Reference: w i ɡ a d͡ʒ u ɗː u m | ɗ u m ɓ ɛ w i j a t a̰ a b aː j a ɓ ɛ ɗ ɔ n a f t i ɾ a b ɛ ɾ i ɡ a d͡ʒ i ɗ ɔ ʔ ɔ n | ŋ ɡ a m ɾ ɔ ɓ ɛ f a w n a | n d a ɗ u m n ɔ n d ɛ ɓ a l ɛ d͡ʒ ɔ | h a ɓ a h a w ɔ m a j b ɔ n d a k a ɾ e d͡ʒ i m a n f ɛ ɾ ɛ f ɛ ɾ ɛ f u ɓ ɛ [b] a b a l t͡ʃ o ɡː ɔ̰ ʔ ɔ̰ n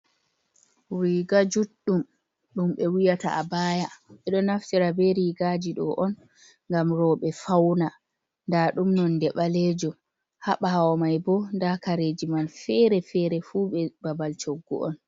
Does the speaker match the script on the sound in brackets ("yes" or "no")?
yes